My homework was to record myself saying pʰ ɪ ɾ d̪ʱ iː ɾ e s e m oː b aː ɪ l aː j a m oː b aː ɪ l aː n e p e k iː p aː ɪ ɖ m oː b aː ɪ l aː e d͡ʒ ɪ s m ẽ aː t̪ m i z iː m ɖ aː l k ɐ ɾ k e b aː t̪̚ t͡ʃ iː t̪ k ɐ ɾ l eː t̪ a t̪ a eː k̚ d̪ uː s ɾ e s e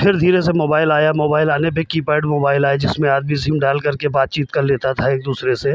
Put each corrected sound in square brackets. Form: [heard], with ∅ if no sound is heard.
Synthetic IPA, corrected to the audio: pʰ ɪ ɾ d̪ʱ iː ɾ e s e m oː b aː ɪ l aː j a m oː b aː ɪ l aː n e p e k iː p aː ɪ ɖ m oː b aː ɪ l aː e d͡ʒ ɪ s m ẽ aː [d̪] m i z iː m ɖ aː l k ɐ ɾ k e b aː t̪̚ t͡ʃ iː t̪ k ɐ ɾ l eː t̪ a [t̪ʰ] a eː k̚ d̪ uː s ɾ e s e